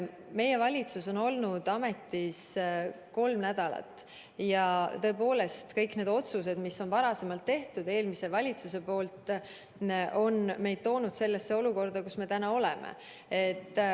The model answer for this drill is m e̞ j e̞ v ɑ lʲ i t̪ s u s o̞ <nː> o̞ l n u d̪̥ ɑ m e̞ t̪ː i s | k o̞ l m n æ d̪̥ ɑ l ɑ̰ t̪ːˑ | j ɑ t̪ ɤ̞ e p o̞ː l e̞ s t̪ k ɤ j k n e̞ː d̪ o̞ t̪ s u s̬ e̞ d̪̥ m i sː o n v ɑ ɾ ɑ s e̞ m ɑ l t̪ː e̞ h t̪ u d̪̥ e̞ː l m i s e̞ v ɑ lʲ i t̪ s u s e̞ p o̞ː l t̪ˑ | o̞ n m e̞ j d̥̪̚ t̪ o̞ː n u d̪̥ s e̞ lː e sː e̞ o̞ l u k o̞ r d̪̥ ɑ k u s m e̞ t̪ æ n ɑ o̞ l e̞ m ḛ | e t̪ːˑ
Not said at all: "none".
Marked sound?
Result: n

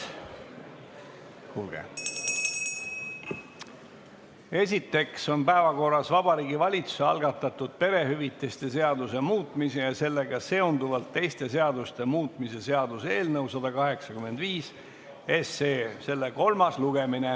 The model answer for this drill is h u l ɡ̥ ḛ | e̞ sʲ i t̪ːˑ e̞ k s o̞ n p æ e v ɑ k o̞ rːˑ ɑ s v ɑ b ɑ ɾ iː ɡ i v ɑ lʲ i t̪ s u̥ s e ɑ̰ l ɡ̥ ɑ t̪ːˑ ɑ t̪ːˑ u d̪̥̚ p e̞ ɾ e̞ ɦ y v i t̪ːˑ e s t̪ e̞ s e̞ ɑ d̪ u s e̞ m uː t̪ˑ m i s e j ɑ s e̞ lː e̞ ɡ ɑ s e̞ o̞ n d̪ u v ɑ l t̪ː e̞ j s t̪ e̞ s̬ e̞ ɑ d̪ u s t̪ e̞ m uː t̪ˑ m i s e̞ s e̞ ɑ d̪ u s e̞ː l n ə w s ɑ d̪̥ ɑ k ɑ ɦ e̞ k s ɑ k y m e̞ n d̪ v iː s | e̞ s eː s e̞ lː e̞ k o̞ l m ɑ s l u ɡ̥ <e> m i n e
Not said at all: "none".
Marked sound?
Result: e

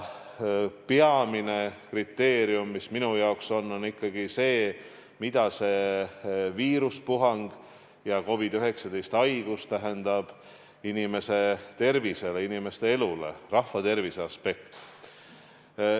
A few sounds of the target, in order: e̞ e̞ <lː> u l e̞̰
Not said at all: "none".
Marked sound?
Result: l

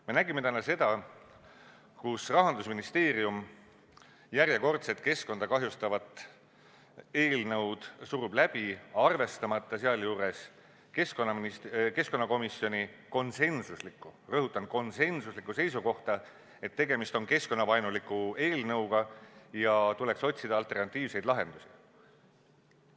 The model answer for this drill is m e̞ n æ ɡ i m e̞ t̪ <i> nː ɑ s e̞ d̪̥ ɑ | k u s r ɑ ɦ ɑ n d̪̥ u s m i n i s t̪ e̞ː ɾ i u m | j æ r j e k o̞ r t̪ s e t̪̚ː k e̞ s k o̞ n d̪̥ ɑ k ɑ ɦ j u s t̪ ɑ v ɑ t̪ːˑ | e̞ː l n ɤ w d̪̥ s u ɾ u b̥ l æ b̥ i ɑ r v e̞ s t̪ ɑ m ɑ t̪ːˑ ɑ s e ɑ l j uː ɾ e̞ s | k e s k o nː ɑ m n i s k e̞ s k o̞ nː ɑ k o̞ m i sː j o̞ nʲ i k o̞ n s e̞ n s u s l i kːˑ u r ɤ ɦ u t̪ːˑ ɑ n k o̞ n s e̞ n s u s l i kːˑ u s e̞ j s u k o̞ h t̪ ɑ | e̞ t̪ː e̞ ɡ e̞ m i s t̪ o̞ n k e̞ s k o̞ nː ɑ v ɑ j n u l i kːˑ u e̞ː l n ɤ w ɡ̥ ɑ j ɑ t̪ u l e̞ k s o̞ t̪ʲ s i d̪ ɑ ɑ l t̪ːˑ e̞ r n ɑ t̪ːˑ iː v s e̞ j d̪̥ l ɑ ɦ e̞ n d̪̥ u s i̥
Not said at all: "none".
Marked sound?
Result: æ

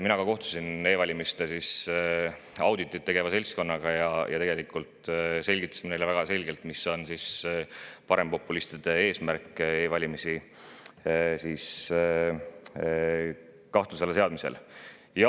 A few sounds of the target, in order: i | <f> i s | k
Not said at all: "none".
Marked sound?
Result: s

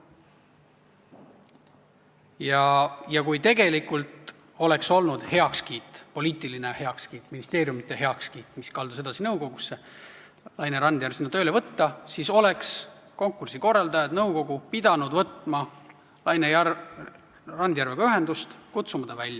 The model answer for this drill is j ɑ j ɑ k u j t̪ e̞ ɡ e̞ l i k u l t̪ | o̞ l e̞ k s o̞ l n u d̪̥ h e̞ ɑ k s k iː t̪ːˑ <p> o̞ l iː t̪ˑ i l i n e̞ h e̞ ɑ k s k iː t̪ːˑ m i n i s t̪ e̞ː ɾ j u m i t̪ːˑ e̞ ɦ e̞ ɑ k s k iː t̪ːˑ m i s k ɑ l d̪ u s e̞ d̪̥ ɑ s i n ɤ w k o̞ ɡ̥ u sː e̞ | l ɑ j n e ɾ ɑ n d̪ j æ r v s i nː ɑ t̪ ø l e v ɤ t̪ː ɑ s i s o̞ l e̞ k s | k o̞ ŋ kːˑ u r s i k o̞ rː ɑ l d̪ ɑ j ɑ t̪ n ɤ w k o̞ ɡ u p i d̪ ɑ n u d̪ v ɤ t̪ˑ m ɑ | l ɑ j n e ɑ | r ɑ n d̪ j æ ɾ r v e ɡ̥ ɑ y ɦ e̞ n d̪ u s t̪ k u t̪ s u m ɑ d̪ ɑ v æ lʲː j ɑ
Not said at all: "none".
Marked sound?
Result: p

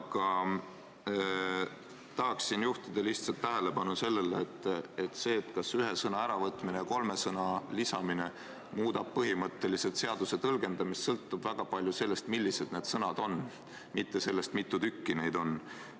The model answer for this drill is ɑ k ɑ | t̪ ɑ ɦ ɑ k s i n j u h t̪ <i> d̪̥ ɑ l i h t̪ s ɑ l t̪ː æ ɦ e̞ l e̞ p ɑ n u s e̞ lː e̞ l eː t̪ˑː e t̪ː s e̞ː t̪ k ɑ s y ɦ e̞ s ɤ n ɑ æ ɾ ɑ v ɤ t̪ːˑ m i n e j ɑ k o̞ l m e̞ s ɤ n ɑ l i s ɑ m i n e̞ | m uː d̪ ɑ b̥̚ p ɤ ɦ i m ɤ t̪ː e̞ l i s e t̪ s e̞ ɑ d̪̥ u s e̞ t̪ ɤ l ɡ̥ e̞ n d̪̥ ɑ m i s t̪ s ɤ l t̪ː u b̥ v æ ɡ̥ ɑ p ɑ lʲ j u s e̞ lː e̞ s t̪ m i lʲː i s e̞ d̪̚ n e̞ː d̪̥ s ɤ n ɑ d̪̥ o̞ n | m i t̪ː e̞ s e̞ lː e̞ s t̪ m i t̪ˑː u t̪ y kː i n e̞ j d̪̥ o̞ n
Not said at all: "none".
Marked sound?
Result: i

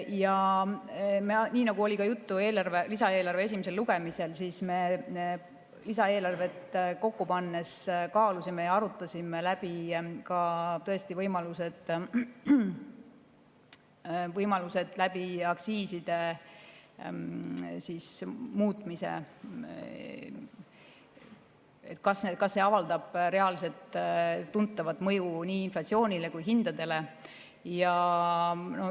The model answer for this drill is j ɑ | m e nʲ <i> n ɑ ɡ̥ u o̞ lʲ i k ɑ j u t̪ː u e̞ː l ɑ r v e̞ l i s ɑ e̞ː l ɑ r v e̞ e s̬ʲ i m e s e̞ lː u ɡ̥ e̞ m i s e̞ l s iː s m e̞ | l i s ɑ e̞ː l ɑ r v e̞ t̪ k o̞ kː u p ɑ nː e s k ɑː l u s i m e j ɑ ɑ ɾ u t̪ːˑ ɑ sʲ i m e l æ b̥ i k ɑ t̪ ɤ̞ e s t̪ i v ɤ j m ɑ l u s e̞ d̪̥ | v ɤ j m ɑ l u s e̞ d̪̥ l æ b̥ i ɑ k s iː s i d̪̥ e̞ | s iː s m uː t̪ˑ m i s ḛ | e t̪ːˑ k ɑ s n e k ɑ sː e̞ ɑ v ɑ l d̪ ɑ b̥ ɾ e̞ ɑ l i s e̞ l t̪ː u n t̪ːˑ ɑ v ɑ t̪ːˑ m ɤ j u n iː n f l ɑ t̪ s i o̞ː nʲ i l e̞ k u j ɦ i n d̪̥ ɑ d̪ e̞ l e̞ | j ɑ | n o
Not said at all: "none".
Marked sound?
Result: iː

